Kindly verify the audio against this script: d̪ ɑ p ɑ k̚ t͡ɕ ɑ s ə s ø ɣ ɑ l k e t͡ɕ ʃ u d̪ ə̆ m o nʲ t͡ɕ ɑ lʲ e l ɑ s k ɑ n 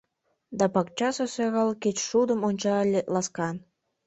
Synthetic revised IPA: d̪ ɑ p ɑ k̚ t͡ɕ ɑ s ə s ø ɣ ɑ l k e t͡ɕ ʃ u d̪ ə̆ m o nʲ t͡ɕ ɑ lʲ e l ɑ s k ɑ n